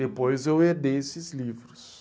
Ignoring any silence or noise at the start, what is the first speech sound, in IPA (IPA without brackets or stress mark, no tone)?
e